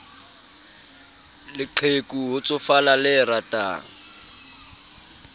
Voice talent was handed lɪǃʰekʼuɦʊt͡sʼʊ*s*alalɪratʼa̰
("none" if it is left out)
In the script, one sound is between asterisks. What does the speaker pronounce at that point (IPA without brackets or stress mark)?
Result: f